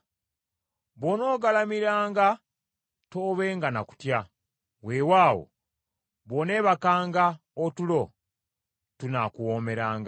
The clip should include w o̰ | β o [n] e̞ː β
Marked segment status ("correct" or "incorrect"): correct